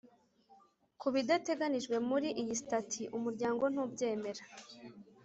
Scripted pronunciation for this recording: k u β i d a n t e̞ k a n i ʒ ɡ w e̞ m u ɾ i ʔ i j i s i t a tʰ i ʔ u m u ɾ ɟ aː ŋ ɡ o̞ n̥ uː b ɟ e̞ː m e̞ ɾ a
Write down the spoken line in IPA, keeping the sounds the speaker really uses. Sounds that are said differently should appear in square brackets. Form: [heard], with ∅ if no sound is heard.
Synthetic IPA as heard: k u β i d a [∅] t e̞ [ɡ] a n i ʒ ɡ w e̞ m u ɾ i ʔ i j i s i t a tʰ i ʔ u m u ɾ ɟ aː ŋ ɡ o̞ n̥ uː b ɟ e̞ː m e̞ ɾ a